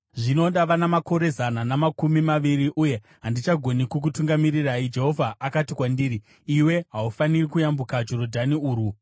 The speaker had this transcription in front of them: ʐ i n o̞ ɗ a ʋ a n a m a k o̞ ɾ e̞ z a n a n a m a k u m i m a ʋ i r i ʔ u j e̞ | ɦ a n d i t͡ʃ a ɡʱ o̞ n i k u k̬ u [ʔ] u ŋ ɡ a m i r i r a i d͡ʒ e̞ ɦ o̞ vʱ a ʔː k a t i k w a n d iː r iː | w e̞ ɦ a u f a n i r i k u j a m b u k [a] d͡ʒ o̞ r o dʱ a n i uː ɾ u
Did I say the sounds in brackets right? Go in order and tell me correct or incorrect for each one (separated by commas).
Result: incorrect, correct